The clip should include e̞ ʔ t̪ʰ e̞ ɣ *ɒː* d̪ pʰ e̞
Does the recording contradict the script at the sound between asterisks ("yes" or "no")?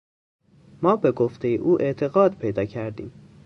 no